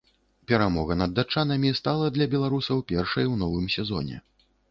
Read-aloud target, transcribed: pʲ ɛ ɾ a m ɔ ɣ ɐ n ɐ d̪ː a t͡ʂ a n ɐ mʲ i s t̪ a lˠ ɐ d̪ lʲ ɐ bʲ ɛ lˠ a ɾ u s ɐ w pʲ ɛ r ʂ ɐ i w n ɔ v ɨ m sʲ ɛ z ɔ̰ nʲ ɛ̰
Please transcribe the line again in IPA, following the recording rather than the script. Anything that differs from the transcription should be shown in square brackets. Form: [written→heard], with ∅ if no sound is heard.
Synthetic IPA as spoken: pʲ ɛ ɾ a m ɔ ɣ ɐ n ɐ d̪ː a t͡ʂ a n ɐ mʲ i s t̪ a lˠ ɐ d̪ lʲ ɐ bʲ ɛ lˠ a ɾ u s ɐ w pʲ ɛ r ʂ ɐ [i→j] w n ɔ v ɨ m sʲ ɛ z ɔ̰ nʲ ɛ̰